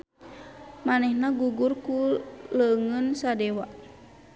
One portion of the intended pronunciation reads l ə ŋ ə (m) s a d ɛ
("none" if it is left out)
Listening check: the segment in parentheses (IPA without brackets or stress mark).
n